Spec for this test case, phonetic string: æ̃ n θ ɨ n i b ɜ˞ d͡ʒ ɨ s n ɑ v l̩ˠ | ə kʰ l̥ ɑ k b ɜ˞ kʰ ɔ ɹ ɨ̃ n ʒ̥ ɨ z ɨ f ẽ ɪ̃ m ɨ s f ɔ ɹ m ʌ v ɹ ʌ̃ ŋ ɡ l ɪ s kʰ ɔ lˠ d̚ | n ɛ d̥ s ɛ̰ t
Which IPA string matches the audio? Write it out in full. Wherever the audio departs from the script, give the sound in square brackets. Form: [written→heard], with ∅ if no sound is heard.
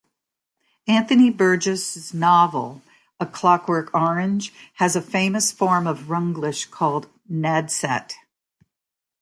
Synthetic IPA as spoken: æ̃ n θ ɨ n i b ɜ˞ d͡ʒ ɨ s n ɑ v l̩ˠ | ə kʰ l̥ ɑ k [b→w] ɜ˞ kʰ ɔ ɹ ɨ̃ n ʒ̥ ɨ z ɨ f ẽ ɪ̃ m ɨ s f ɔ ɹ m ʌ v ɹ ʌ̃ ŋ ɡ l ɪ [s→ʃ] kʰ ɔ lˠ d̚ | n ɛ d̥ s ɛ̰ t